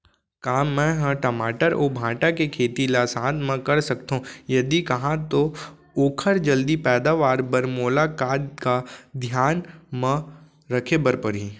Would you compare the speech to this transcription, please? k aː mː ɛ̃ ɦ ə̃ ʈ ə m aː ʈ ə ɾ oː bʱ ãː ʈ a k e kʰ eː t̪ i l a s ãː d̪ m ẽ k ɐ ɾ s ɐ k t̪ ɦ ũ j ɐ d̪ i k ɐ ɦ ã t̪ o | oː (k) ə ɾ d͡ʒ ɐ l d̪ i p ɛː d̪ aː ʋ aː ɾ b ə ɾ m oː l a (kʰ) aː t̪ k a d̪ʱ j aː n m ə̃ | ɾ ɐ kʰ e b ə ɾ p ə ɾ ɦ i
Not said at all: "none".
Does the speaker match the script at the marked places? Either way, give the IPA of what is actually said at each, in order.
kʰ, k

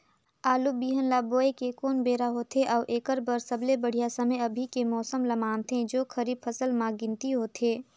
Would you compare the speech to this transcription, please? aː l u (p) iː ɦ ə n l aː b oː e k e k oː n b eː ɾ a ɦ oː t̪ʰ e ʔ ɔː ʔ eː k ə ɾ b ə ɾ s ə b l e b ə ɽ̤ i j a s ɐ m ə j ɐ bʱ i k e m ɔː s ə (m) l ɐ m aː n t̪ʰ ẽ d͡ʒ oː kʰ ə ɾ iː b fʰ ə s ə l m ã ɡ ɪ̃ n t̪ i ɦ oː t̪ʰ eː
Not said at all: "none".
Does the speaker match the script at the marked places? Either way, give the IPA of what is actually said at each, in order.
b, m

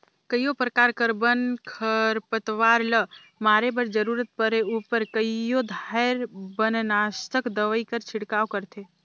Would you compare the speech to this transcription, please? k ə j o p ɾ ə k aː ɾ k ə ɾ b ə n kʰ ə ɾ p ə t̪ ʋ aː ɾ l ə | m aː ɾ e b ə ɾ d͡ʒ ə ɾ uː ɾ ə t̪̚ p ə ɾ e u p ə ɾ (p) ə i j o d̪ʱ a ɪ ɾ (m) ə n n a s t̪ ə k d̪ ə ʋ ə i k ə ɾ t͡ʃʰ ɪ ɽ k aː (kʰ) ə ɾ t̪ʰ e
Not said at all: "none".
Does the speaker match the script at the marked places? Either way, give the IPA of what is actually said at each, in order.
k, b, k

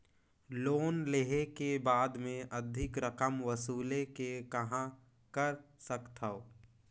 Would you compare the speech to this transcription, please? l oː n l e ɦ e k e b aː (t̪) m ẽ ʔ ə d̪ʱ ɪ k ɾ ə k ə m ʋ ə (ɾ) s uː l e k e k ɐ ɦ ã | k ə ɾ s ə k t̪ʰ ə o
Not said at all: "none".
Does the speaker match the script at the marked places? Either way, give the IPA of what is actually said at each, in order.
d̪, none

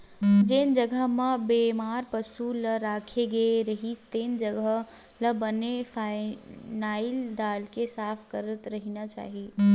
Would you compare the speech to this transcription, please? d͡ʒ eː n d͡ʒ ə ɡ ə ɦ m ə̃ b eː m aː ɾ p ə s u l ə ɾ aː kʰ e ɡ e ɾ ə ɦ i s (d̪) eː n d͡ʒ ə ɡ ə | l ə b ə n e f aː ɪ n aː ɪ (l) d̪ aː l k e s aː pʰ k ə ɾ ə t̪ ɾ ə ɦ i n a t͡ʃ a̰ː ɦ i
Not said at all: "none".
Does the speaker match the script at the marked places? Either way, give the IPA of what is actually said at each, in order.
t̪, l

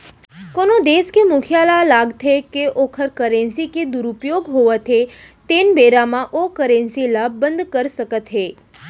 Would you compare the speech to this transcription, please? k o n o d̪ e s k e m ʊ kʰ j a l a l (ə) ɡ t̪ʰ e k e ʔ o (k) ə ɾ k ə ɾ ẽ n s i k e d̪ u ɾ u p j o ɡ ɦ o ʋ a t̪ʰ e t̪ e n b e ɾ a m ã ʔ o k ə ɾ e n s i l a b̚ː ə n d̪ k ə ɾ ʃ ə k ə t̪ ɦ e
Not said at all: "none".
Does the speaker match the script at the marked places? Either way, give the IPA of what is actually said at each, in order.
a, kʰ

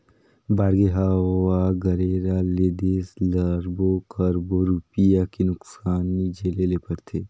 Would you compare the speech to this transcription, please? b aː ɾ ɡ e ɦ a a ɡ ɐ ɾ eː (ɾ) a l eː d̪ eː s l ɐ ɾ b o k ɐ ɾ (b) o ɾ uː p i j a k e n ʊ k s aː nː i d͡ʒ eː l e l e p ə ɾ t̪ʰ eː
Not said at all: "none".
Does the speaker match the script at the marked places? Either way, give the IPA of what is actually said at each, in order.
ɾ, b

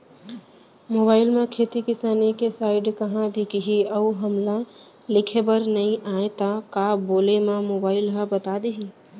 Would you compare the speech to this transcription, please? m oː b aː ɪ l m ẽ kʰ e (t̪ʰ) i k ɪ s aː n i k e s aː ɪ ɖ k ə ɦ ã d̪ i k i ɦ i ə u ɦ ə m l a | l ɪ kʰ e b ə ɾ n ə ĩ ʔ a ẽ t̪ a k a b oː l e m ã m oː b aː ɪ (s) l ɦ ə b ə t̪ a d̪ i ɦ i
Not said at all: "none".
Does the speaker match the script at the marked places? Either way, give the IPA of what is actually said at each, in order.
t̪, none

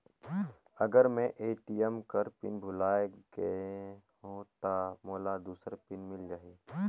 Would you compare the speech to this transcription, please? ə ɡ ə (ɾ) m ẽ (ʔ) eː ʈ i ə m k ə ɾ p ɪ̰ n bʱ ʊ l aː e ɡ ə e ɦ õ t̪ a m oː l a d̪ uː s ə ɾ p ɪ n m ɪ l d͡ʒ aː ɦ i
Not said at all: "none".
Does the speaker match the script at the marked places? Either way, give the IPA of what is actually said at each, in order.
ɾ, ʔ

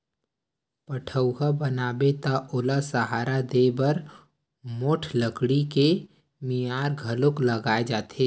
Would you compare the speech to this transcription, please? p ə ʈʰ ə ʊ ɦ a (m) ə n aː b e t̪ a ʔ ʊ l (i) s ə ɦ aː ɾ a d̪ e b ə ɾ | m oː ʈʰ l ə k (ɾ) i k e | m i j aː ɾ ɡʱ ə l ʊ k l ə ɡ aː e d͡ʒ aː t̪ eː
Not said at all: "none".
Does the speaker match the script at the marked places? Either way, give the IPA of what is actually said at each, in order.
b, a, ɽ

